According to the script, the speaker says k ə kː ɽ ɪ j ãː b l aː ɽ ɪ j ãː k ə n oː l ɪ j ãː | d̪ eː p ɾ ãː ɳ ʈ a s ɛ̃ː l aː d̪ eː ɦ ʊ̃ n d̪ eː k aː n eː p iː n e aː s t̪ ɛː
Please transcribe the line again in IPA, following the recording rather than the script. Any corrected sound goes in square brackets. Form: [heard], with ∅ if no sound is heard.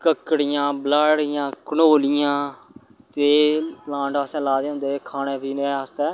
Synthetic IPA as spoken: k ə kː ɽ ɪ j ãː b l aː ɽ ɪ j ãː k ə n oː l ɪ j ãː | [t̪] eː p [l] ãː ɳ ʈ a s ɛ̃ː l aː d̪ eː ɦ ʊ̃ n d̪ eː [kʰ] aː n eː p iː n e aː s t̪ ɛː